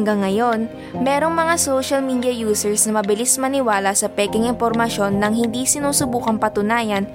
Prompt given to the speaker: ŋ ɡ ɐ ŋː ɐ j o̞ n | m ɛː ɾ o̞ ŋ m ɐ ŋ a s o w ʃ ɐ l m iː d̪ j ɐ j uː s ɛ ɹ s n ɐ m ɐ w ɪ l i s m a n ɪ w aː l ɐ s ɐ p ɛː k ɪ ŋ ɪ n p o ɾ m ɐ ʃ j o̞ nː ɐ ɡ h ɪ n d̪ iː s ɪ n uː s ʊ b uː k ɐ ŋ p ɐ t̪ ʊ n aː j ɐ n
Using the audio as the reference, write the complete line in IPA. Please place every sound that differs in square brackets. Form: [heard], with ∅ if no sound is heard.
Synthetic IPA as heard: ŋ ɡ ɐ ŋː ɐ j o̞ n | m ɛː ɾ o̞ ŋ m ɐ ŋ a s o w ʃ ɐ l m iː d̪ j ɐ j uː s ɛ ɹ s n ɐ m ɐ [b] ɪ l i s m [ɐ] n ɪ w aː l ɐ s ɐ p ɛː k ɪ ŋ ɪ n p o ɾ m ɐ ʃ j o̞ nː ɐ [ŋ] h ɪ n d̪ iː s ɪ n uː s ʊ b uː k ɐ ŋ p ɐ t̪ ʊ n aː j ɐ n